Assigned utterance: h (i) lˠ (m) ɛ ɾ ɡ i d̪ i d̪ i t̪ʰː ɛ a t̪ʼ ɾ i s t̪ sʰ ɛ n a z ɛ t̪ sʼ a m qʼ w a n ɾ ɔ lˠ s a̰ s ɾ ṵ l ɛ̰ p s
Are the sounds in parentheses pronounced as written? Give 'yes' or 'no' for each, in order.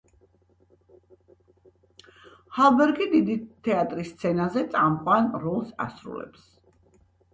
no, no

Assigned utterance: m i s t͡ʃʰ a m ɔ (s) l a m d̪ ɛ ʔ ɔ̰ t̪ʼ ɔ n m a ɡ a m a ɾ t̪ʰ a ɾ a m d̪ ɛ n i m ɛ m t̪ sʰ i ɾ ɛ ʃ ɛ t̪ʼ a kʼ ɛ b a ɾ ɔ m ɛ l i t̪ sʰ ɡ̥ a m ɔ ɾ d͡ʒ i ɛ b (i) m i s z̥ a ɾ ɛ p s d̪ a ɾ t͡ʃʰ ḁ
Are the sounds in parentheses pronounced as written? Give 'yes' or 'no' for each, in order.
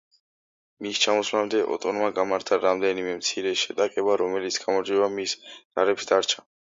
yes, no

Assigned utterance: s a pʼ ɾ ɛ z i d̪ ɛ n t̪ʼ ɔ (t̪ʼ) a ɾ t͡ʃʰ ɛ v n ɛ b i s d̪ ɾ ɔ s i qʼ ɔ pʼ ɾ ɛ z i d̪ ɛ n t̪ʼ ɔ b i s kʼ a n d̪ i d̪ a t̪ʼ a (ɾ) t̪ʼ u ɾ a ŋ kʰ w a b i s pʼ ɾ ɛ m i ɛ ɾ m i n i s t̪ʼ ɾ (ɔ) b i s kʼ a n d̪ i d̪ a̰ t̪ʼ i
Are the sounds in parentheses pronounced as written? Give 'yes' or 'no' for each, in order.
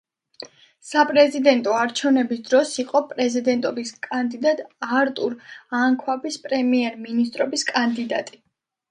no, yes, yes

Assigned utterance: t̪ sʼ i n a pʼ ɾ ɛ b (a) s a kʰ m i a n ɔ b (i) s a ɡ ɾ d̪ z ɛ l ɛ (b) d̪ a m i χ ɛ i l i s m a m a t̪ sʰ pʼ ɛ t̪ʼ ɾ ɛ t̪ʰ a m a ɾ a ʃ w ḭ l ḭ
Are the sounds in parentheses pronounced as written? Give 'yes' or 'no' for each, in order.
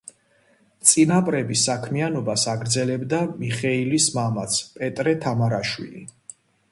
no, no, yes

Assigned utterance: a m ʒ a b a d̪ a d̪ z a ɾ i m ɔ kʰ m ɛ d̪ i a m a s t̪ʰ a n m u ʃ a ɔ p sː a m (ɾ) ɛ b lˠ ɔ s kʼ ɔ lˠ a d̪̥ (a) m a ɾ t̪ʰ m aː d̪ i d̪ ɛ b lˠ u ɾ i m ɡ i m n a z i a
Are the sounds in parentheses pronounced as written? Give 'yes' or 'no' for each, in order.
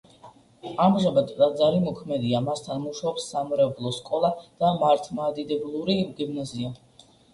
yes, yes

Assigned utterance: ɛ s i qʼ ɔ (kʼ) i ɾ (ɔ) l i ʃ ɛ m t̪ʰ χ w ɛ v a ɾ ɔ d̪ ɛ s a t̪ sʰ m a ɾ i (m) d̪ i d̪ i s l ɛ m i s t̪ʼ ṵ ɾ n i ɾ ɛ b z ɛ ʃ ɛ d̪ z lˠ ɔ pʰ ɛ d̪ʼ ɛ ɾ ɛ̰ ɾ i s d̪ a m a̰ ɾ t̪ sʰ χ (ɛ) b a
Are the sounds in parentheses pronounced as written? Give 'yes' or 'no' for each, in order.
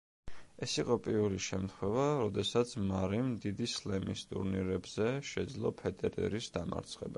no, no, yes, yes

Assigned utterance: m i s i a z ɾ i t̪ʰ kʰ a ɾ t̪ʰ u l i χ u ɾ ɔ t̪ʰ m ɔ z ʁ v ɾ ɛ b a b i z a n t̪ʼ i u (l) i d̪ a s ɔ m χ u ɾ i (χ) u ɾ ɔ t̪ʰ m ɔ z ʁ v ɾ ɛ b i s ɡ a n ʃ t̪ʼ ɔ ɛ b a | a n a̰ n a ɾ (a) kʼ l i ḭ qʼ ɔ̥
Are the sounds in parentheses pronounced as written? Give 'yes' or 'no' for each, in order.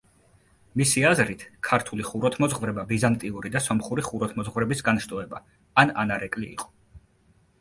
no, yes, no

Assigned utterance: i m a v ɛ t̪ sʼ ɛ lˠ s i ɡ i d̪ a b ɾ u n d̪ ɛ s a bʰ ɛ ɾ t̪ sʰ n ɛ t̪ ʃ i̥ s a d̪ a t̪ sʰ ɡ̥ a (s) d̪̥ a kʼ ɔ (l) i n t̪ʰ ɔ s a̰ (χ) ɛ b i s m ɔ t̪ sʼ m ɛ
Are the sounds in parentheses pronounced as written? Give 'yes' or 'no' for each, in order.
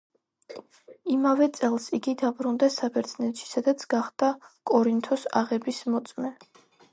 no, no, no

